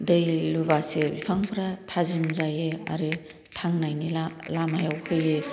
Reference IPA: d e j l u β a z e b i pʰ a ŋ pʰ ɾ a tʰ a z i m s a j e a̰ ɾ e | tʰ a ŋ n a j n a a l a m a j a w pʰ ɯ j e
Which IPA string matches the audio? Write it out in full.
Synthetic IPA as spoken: d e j l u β a s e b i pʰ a ŋ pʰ ɾ a tʰ a z i m z a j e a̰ ɾ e | tʰ a ŋ n a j n i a l a m a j a w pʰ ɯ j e